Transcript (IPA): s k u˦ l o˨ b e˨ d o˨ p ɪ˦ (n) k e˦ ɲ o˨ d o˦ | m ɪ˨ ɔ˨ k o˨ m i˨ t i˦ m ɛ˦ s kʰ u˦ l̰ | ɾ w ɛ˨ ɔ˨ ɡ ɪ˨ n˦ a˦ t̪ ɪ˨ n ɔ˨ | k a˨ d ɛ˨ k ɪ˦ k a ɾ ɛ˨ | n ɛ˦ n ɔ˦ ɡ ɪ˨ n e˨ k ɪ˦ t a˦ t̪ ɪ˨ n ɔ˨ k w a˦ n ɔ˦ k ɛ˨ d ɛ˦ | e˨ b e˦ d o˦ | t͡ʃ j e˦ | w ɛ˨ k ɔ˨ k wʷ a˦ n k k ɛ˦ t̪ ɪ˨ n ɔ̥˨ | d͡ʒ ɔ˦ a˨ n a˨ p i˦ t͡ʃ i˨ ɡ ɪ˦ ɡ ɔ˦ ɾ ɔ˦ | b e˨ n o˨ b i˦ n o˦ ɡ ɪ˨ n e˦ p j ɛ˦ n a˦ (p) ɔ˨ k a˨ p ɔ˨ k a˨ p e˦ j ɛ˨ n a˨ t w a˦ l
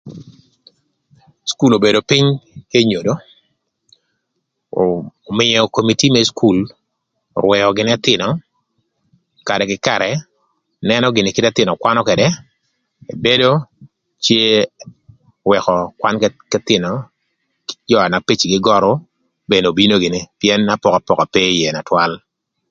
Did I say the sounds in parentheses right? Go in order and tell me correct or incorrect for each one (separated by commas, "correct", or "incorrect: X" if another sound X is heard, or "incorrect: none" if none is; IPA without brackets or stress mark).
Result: incorrect: ɲ, correct